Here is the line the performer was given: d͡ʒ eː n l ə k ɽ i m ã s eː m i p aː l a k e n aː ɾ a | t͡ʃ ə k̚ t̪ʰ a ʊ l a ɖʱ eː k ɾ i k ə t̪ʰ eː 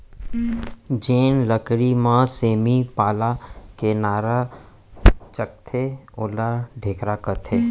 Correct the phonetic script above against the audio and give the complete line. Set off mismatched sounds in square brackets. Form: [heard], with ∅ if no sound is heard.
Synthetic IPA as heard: d͡ʒ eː n l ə k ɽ i m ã s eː m i p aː l a k e n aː ɾ a | t͡ʃ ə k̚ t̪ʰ [e] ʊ l a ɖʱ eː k ɾ [a] k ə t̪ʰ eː